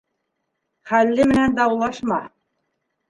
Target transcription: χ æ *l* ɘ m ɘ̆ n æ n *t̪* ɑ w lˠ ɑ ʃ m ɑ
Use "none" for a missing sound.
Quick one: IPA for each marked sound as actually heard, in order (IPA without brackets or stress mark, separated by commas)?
lː, d̪